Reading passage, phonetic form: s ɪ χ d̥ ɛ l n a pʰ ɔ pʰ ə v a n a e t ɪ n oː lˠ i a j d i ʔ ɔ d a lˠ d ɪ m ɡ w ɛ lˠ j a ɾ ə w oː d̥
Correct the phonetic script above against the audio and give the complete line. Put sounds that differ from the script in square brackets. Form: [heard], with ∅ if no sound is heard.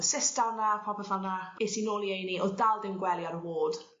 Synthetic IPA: s ɪ [s] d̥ [a] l n a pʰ ɔ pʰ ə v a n a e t [i] n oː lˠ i [e] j [n] i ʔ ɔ d a lˠ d ɪ m ɡ w ɛ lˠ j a ɾ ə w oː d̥